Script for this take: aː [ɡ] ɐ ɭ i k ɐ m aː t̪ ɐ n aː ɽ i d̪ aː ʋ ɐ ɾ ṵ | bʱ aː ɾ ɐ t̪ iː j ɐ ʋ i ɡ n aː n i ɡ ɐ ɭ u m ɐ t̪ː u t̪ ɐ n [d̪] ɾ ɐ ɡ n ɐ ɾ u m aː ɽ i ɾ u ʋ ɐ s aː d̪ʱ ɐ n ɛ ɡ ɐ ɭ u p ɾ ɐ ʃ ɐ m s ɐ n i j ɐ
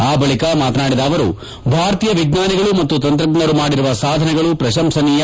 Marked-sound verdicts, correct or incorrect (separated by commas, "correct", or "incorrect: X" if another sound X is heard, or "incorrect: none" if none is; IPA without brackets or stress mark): incorrect: b, incorrect: t̪